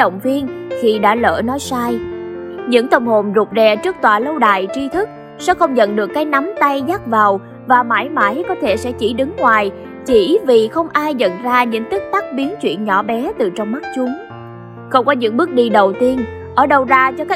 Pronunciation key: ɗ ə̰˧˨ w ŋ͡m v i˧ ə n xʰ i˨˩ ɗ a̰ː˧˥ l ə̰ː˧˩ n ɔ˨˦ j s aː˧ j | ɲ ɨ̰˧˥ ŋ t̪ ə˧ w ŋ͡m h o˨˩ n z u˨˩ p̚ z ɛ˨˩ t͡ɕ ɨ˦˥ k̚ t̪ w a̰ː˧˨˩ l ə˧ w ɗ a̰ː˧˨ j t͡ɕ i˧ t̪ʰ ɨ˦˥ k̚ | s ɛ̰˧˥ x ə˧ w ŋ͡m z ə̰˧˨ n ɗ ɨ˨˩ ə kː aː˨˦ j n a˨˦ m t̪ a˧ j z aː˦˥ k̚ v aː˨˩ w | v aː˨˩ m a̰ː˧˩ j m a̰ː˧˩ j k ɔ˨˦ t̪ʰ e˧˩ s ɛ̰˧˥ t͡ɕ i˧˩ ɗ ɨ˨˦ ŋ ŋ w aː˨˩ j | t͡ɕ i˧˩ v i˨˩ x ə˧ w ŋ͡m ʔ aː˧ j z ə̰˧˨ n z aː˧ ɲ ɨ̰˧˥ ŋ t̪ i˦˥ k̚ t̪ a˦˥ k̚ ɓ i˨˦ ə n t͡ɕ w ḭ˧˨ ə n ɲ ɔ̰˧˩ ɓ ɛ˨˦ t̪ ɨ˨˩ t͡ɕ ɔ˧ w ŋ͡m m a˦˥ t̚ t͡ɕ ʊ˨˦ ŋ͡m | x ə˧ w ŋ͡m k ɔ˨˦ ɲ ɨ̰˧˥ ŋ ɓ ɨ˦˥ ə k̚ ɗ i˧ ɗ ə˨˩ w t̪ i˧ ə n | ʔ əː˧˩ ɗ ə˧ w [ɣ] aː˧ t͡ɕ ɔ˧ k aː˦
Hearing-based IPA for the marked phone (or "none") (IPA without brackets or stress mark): z